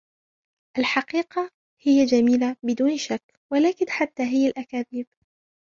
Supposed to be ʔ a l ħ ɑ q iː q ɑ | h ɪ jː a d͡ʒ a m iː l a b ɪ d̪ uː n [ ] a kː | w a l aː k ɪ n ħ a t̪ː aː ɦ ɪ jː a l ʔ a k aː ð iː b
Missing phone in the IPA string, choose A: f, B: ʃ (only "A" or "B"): B